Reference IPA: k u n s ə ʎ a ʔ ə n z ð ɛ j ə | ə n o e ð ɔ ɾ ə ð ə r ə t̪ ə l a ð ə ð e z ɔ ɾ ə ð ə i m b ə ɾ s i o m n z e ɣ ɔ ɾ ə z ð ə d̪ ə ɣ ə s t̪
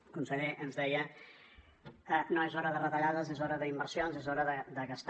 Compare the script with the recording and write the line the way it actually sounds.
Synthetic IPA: k u n s ə ʎ e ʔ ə n z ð ɛ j ə | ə n o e z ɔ ɾ ə ð ə r ə t̪ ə ʎ a ð ə z e z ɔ ɾ ə ð ə i m b ə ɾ s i o n z e z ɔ ɾ ə ð ə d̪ ə ɣ ə s t̪